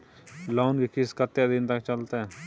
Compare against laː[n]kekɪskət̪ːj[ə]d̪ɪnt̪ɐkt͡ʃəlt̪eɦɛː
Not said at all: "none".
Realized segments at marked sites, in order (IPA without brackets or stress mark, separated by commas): n, a